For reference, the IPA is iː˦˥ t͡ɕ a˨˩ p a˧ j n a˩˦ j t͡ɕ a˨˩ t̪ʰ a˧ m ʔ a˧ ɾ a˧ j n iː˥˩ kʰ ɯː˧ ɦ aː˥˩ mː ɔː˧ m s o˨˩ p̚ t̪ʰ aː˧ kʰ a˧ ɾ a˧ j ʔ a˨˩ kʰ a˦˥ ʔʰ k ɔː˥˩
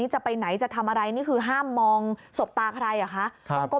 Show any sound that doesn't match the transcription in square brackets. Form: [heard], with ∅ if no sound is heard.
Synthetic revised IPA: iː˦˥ t͡ɕ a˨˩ p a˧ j n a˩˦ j t͡ɕ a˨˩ t̪ʰ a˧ m ʔ a˧ ɾ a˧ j n iː˥˩ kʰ ɯː˧ ɦ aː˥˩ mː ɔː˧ [ŋ] s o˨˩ p̚ [t̪] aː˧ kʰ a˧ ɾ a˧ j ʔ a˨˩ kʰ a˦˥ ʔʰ k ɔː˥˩